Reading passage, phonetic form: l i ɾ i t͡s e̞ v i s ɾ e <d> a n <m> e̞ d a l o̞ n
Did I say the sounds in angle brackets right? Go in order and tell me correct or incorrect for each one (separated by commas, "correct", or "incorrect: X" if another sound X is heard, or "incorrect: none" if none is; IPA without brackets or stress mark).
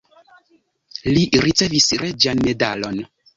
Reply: incorrect: d͡ʒ, correct